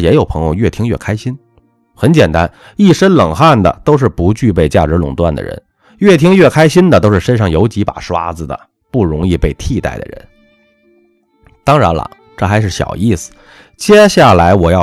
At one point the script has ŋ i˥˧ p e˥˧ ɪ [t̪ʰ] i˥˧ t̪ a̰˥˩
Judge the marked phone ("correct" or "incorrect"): correct